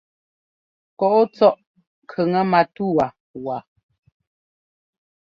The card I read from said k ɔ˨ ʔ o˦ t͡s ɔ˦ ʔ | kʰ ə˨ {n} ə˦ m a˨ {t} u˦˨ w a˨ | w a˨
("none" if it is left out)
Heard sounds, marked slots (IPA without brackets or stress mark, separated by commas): ŋ, t